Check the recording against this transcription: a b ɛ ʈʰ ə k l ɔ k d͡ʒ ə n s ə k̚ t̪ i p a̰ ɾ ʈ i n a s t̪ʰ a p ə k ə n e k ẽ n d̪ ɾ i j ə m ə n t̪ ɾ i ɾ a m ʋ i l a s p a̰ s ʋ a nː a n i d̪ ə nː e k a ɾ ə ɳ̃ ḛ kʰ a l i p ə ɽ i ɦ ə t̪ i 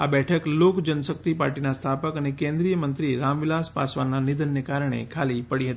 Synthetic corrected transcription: a b ɛ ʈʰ ə k l o k d͡ʒ ə n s ə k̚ t̪ i p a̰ ɾ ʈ i n a s t̪ʰ a p ə k ə n e k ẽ n d̪ ɾ i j ə m ə n t̪ ɾ i ɾ a m ʋ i l a s p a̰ s ʋ a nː a n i d̪ ə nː e k a ɾ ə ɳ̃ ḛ kʰ a l i p ə ɽ i ɦ ə t̪ i